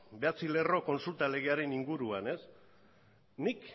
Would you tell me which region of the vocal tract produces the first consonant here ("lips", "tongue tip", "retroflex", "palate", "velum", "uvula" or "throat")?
lips